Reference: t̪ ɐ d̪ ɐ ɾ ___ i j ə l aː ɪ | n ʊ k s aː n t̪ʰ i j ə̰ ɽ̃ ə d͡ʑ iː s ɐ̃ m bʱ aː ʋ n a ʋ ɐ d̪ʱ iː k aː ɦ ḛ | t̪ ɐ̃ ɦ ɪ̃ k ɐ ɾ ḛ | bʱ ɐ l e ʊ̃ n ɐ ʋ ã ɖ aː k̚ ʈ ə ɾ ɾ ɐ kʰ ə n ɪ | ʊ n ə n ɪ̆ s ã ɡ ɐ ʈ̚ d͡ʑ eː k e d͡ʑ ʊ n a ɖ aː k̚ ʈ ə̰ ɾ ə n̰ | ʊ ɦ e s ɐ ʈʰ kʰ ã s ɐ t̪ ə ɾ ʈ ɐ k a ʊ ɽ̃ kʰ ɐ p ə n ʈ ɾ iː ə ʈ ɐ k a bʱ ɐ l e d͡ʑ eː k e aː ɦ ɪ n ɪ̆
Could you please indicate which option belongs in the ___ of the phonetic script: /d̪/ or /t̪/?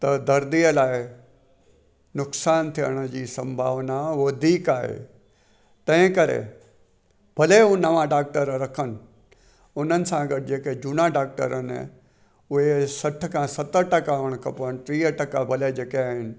d̪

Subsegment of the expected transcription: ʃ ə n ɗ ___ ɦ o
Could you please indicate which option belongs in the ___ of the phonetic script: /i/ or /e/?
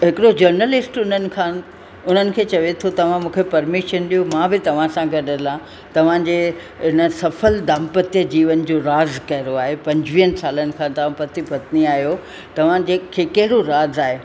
i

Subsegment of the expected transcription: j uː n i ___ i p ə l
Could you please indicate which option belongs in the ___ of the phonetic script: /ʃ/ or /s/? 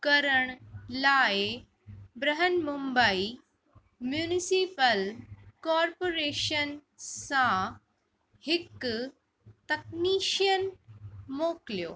s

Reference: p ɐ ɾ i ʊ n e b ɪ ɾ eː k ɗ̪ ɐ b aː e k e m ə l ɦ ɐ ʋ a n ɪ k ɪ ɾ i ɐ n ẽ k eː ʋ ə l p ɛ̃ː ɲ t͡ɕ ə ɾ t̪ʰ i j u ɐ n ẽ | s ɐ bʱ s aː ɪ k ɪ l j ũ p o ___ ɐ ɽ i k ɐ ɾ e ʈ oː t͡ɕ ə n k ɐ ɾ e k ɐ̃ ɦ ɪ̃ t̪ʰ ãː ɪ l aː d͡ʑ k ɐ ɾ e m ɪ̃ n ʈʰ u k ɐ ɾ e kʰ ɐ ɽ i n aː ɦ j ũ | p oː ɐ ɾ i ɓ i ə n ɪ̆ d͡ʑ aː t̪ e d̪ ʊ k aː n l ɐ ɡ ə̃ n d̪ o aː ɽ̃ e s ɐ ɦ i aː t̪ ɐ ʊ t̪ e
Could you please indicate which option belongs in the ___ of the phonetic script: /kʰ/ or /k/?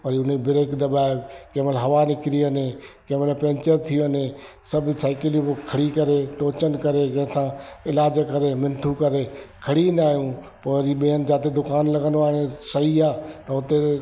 kʰ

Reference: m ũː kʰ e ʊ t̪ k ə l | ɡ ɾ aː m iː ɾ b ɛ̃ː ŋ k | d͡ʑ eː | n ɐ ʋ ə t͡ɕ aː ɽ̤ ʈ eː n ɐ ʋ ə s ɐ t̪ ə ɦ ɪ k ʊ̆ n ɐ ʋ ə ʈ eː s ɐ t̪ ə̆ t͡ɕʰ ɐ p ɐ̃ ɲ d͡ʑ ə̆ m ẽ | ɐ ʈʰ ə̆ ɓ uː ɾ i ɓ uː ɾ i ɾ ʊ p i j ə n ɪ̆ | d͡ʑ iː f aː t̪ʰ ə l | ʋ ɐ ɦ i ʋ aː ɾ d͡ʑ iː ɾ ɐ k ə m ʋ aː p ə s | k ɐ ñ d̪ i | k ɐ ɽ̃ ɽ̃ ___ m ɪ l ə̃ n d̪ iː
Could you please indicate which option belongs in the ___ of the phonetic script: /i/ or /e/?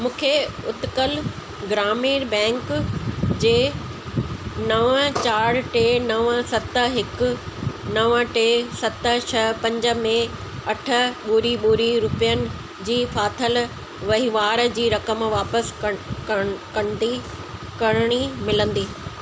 i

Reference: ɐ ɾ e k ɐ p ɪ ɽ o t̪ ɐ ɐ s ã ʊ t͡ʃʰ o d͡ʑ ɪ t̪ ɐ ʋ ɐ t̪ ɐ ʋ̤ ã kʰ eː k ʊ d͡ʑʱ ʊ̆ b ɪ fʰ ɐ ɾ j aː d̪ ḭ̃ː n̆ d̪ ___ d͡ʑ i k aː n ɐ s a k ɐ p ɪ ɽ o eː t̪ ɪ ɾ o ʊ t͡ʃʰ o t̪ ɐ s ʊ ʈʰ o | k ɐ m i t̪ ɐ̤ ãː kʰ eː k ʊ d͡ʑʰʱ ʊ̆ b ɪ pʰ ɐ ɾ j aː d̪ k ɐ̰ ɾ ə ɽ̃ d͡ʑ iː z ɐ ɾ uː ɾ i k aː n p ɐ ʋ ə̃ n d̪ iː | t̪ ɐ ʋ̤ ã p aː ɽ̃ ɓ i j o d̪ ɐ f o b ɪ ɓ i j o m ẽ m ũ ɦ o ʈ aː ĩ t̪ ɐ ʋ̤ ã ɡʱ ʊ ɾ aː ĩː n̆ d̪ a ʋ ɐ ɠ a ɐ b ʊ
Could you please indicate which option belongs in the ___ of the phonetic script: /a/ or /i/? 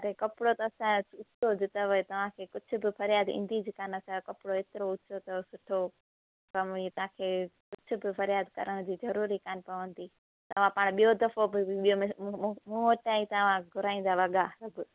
i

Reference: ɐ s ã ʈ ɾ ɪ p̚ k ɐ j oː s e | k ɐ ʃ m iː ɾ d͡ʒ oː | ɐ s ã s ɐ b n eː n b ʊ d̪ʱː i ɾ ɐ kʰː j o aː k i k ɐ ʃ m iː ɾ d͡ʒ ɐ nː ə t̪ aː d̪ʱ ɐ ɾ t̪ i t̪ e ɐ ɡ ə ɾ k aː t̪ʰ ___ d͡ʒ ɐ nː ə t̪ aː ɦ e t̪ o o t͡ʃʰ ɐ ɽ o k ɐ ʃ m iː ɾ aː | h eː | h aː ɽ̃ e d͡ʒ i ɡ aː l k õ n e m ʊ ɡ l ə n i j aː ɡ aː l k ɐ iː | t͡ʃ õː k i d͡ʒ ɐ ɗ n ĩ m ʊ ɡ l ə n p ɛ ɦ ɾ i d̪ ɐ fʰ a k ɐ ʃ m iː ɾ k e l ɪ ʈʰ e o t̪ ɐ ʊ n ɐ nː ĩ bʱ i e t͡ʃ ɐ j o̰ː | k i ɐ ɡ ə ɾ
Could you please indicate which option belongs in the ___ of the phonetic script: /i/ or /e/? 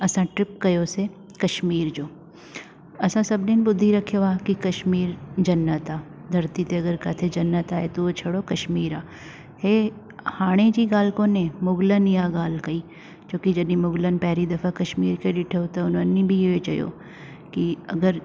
e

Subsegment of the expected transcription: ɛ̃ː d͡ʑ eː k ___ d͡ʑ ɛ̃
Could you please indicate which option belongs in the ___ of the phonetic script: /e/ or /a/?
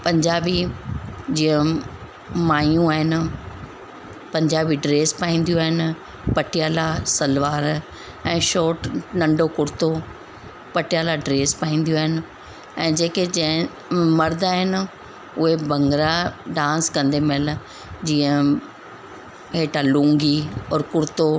e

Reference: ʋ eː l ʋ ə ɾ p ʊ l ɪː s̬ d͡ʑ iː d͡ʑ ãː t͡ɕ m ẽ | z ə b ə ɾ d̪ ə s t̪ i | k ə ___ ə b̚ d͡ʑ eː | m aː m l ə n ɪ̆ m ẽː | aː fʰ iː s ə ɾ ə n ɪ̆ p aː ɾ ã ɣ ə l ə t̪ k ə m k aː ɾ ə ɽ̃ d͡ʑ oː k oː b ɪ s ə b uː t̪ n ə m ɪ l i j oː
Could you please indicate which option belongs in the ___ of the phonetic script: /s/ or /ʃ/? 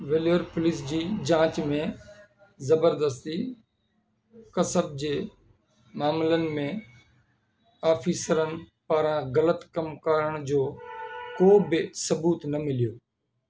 s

